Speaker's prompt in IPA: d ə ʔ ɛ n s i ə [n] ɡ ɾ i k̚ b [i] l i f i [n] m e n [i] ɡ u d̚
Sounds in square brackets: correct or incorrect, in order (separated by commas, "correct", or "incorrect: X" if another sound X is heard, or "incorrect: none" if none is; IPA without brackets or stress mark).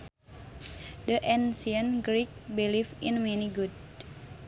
correct, correct, correct, correct